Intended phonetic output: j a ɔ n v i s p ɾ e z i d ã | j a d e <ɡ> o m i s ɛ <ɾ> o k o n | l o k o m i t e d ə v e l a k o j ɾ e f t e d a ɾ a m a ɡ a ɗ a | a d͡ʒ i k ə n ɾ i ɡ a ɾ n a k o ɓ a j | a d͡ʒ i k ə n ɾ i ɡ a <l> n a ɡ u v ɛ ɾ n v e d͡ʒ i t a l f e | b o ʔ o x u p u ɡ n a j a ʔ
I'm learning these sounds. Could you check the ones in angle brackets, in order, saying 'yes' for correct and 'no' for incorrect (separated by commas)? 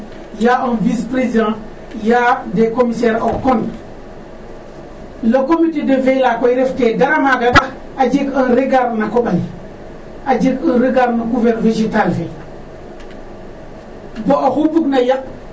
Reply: no, yes, no